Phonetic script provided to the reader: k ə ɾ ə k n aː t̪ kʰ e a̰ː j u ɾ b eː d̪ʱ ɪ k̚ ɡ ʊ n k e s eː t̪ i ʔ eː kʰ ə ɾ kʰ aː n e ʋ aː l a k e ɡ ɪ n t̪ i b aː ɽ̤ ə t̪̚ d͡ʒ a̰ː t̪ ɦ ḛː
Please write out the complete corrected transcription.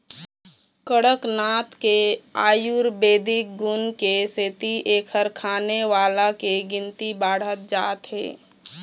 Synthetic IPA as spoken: k ə ɽ ə k n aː t̪ k e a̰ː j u ɾ b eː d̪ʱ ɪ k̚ ɡ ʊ n k e s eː t̪ i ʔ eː kʰ ə ɾ kʰ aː n e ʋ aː l a k e ɡ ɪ n t̪ i b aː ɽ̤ ə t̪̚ d͡ʒ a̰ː t̪ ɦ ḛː

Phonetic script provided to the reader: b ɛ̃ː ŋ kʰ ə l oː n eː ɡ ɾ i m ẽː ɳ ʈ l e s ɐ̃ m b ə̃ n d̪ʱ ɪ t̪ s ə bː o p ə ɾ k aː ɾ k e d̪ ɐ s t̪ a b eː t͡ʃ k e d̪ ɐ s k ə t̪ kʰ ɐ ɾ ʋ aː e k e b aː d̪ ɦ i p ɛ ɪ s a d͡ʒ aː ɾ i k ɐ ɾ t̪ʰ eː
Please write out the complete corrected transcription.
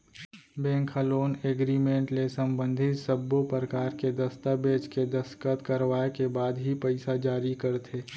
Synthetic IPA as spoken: b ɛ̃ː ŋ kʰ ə l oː n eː ɡ ɾ i m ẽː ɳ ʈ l e s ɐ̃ m b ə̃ n d̪ʱ ɪ t̪ s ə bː o p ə ɾ k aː ɾ k e d̪ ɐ s t̪ a b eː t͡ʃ k e d̪ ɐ s k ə t̪ k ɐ ɾ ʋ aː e k e b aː d̪ ɦ i p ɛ ɪ s a d͡ʒ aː ɾ i k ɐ ɾ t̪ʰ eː

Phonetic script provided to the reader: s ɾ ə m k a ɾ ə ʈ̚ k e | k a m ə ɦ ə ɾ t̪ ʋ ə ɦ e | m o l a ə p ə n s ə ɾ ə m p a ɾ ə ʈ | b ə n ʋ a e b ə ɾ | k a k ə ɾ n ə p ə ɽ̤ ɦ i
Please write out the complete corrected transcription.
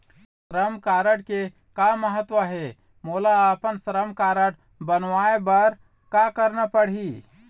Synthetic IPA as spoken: s ɾ ə m k a ɾ ə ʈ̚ k e | k a m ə ɦ ə t̪ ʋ ə ɦ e | m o l a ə p ə n s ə ɾ ə m k a ɾ ə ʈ | b ə n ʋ a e b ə ɾ | k a k ə ɾ n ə p ə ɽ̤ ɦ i

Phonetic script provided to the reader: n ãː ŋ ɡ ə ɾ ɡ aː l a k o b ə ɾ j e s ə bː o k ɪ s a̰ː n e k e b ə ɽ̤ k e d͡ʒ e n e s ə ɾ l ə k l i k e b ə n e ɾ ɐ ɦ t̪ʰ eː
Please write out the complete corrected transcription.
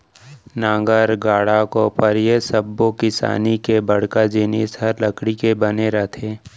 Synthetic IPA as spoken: n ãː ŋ ɡ ə ɾ ɡ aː ɽ a k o p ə ɾ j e s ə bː o k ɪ s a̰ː n i k e b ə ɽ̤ k a d͡ʒ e n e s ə ɾ l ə k ɽ i k e b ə n e ɾ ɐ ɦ t̪ʰ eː

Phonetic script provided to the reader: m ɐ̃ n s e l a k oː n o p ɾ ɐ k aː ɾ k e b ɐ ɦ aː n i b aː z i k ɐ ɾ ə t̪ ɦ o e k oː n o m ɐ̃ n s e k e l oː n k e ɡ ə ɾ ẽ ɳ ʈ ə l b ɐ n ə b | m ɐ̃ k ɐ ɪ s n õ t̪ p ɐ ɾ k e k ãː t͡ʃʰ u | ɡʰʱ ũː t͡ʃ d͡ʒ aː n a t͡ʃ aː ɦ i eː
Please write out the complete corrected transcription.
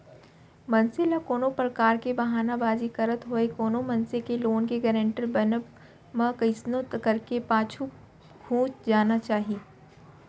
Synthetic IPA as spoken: m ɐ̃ n s e l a k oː n o p ɾ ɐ k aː ɾ k e b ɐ ɦ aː n a b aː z i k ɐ ɾ ə t̪ ɦ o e k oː n o m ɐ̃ n s e k e l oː n k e ɡ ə ɾ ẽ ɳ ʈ ə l b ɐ n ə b | m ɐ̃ k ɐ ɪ s n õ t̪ k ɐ ɾ k e p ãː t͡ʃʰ u | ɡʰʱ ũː t͡ʃ d͡ʒ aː n a t͡ʃ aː ɦ i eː

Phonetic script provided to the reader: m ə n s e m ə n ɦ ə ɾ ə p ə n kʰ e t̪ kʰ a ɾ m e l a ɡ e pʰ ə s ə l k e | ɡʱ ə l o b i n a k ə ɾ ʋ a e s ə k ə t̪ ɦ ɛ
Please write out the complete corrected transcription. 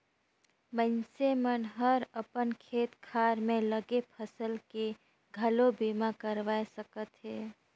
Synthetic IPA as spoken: m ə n s e m ə n ɦ ə ɾ ə p ə n kʰ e t̪ kʰ a ɾ m e l ə ɡ e pʰ ə s ə l k e | ɡʱ ə l o b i m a k ə ɾ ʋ a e s ə k ə t̪ ɦ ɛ

